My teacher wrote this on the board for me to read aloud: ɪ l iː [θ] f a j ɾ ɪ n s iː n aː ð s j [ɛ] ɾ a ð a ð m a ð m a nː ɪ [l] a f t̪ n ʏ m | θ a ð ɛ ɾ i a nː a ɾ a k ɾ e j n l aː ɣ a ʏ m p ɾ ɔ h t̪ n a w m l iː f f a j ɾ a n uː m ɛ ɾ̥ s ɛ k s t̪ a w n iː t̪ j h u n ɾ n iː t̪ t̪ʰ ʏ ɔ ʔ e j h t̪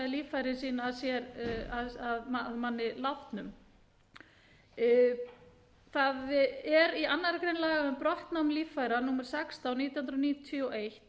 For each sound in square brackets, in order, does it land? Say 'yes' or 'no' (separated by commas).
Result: no, yes, yes